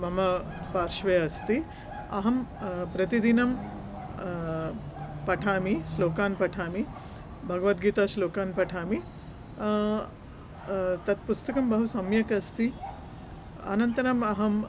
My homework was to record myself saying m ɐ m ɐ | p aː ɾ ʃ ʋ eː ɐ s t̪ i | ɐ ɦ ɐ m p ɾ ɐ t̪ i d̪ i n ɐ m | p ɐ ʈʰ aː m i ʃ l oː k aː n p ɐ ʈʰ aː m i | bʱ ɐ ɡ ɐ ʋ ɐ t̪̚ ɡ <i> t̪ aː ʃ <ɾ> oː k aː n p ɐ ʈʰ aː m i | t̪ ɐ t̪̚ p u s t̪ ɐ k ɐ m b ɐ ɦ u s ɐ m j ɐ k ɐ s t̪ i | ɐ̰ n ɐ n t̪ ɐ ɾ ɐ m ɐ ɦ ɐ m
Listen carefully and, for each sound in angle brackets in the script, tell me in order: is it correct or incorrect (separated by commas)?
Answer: incorrect, incorrect